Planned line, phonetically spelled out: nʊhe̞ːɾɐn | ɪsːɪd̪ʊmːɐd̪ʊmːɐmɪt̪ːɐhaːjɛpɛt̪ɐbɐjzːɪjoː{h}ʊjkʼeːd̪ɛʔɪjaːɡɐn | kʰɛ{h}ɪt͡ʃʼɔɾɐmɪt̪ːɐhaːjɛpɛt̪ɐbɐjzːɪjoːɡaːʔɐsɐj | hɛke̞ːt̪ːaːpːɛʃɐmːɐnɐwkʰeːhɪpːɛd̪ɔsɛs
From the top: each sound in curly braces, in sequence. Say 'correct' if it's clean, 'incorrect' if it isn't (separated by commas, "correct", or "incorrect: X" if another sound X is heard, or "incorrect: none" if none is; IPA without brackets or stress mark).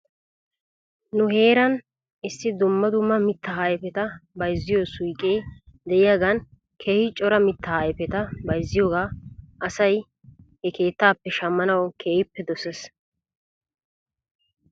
incorrect: s, correct